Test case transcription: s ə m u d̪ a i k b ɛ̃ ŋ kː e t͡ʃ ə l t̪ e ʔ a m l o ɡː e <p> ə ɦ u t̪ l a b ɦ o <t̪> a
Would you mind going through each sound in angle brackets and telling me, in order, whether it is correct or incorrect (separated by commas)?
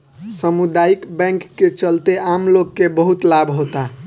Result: incorrect, correct